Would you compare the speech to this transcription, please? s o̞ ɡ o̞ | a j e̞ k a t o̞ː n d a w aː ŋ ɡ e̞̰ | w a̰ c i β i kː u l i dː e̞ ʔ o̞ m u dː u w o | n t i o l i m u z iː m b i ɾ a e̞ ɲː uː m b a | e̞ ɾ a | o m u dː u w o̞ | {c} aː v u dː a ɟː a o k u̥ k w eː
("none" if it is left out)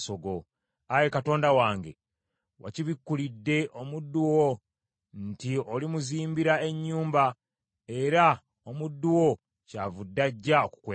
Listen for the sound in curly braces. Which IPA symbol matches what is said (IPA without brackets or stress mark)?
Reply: c